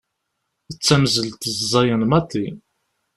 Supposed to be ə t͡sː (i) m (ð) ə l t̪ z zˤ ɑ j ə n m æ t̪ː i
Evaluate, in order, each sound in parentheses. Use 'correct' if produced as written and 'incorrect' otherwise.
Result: incorrect, incorrect

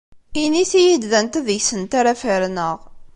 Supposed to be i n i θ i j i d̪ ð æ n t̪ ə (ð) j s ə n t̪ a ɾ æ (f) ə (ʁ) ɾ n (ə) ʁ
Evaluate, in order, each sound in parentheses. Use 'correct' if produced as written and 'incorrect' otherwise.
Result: correct, correct, incorrect, correct

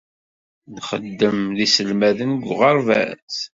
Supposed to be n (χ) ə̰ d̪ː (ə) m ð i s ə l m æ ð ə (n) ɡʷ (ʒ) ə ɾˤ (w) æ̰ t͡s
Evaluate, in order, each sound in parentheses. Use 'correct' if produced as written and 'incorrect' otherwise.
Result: correct, correct, correct, incorrect, incorrect

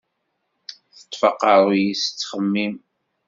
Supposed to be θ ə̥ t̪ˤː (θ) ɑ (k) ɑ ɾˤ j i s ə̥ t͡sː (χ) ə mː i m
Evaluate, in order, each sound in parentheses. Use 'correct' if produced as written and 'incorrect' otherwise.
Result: incorrect, incorrect, correct

